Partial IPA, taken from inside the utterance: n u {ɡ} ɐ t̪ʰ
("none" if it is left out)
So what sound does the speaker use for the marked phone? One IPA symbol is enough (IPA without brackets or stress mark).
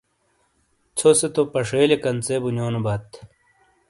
b